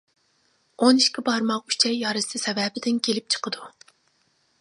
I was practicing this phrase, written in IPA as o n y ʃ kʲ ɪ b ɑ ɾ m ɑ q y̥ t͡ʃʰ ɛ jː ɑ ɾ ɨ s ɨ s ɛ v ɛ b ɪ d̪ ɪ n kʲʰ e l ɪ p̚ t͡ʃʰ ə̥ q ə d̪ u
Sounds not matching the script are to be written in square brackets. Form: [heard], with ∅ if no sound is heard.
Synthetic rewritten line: o n [i] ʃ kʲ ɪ b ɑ ɾ m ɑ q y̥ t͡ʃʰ ɛ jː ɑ ɾ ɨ s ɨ s ɛ v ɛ b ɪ d̪ ɪ n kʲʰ e l ɪ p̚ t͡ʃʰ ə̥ q ə d̪ u